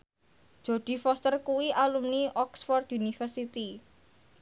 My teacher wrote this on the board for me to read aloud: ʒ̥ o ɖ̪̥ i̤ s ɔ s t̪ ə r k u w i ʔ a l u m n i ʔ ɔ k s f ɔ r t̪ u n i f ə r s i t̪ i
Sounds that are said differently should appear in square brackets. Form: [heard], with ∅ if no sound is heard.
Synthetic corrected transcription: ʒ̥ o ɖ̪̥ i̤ [f] ɔ s t̪ ə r k u w i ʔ a l u m n i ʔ ɔ k s f ɔ r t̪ u n i f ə r s i t̪ i